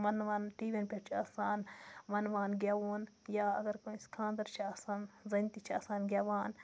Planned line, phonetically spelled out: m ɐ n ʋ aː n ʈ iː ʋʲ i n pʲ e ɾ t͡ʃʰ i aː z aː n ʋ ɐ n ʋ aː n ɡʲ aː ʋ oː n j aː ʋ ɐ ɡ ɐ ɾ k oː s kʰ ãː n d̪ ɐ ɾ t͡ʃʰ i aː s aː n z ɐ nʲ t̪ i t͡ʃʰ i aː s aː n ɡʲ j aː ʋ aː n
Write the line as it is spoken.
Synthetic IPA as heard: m ɐ n ʋ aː n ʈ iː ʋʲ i n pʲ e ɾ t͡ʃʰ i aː s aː n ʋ ɐ n ʋ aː n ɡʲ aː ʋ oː n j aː ɐ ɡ ɐ ɾ k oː s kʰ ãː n d̪ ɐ ɾ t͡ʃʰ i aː s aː n z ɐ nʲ t̪ i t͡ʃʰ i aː s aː n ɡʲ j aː ʋ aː n

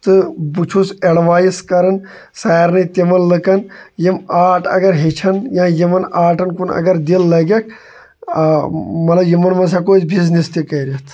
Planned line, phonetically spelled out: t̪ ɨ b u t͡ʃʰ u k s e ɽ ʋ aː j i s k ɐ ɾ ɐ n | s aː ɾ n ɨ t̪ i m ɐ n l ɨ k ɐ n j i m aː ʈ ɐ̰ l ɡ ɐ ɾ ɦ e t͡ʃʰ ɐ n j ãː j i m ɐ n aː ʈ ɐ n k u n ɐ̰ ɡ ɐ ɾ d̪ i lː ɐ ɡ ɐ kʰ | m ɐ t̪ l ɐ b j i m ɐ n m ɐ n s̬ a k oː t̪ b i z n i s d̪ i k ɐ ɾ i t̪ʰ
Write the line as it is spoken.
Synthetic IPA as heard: t̪ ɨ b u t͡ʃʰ u s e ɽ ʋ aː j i s k ɐ ɾ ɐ n | s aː ɾ n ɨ t̪ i m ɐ n l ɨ k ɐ n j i m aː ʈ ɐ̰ ɡ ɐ ɾ ɦ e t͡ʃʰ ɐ n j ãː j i m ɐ n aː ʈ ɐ n k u n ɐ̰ ɡ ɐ ɾ d̪ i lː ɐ ɡ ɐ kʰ | m ɐ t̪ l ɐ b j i m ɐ n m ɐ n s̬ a k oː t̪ b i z n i s t̪ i k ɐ ɾ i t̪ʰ

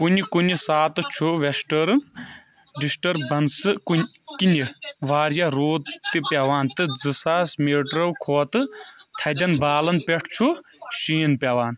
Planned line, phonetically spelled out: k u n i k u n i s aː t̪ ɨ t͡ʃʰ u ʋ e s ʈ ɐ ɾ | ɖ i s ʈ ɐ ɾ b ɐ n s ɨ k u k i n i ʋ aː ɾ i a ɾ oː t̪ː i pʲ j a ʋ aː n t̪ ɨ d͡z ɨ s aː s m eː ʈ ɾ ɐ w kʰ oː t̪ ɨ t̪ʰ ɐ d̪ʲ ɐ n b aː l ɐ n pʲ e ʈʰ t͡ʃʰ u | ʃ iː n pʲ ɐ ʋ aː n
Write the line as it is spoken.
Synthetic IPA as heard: k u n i k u n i s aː t̪ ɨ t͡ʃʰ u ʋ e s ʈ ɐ ɾ | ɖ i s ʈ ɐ ɾ b ɐ n s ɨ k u k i n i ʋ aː ɾ j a ɾ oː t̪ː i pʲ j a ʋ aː n t̪ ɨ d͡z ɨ s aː s m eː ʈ ɾ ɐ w kʰ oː t̪ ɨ t̪ʰ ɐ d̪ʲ ɐ n b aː l ɐ n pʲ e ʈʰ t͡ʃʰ u | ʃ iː n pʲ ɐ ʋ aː n

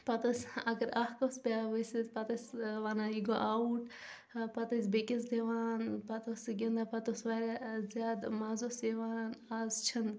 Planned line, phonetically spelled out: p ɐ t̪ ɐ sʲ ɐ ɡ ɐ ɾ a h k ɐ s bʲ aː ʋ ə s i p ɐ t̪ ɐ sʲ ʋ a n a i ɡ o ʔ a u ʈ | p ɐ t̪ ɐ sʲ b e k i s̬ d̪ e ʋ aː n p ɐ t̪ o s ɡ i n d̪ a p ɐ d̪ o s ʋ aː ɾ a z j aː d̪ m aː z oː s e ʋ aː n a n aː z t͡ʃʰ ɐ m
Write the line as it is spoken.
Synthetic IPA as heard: p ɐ t̪ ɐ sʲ ɐ ɡ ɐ ɾ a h k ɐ s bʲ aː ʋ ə s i p ɐ t̪ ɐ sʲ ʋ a n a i ɡ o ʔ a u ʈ | p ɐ t̪ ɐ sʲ b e k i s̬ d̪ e ʋ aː n p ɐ t̪ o s ɡ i n d̪ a p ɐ t̪ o s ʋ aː ɾ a z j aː d̪ m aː z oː s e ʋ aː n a n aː z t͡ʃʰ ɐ n

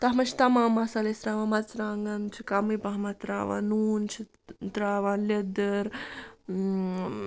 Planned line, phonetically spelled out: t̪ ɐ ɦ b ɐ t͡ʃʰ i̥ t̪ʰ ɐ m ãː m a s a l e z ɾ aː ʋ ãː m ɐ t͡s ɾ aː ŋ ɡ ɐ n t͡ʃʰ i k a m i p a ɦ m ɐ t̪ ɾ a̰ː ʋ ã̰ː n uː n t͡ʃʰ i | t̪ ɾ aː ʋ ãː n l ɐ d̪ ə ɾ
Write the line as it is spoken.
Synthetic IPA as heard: t̪ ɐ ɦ m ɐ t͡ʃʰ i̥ t̪ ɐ m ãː m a s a l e s ɾ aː ʋ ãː m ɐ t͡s ɾ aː ŋ ɡ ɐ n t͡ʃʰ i k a m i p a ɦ m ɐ t̪ ɾ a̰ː ʋ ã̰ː n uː n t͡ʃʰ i | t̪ ɾ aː ʋ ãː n l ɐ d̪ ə ɾ

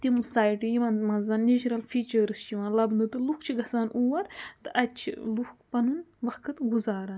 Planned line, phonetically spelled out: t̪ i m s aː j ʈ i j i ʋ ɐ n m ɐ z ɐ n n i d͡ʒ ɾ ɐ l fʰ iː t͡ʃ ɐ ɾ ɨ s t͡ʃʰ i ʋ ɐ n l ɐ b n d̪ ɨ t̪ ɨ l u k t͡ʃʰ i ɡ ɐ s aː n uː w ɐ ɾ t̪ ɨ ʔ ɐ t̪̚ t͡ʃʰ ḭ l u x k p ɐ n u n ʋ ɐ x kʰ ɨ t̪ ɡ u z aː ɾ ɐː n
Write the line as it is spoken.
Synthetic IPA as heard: t̪ i m s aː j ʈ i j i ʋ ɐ n m ɐ z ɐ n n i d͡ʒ ɾ ɐ l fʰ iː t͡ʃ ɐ ɾ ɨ s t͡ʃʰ i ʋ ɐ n l ɐ b n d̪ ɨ t̪ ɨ l u k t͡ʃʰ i ɡ ɐ s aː n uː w ɐ ɾ t̪ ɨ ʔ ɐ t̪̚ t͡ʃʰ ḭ l u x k p ɐ n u n ʋ ɐ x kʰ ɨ t̪ ɡ u z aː ɾ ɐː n

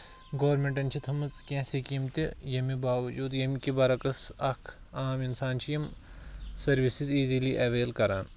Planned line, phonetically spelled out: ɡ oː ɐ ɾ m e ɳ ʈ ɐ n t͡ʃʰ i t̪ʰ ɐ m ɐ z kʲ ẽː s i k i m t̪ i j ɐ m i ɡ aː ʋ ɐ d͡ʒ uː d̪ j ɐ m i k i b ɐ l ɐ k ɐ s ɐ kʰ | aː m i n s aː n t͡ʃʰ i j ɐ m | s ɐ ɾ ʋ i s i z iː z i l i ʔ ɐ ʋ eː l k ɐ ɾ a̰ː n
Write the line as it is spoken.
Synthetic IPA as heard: ɡ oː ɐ ɾ m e ɳ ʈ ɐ n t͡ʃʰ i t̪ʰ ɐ m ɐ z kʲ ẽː s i k i m t̪ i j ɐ m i b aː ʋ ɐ d͡ʒ uː d̪ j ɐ m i k i b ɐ ɾ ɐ k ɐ s ɐ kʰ | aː m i n s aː n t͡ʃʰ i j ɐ m | s ɐ ɾ ʋ i s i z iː z i l i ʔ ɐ ʋ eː l k ɐ ɾ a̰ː n

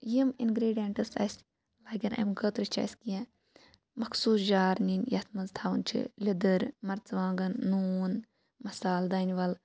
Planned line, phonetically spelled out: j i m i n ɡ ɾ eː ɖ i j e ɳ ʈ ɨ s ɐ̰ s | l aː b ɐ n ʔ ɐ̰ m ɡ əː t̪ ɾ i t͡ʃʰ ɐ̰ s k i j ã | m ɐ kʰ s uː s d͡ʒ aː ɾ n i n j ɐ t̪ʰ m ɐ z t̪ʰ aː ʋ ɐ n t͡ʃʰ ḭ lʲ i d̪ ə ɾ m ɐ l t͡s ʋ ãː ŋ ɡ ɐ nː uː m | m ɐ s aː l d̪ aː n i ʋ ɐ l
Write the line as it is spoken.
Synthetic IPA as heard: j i m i n ɡ ɾ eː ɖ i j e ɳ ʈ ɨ s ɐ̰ s | l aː ɡ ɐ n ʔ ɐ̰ m ɡ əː t̪ ɾ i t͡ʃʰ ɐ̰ s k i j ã | m ɐ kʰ s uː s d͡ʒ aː ɾ n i n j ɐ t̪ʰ m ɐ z t̪ʰ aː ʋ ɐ n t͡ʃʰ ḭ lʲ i d̪ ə ɾ m ɐ ɾ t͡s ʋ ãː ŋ ɡ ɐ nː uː n | m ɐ s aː l d̪ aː n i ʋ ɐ l

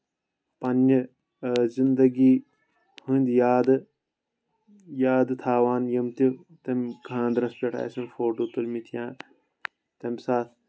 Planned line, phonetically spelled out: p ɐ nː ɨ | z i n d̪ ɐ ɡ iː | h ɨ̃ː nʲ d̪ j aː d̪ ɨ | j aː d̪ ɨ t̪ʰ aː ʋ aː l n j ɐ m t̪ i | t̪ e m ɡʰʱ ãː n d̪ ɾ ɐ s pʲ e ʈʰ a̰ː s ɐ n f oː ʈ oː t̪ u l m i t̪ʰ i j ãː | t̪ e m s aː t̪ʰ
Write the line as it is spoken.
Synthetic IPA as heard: p ɐ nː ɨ | z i n d̪ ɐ ɡ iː | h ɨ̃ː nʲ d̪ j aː d̪ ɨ | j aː d̪ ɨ t̪ʰ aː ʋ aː n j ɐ m t̪ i | t̪ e m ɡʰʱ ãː n d̪ ɾ ɐ s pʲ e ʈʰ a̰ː s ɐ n f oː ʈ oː t̪ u l m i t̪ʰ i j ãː | t̪ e m s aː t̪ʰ

